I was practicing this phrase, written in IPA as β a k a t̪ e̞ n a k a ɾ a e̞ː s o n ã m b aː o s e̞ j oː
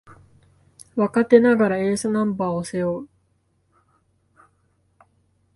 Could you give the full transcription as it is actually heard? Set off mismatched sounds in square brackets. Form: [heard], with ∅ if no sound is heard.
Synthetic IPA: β a k a t̪ e̞ n a [ɡ] a ɾ a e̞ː s o n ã m b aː o s e̞ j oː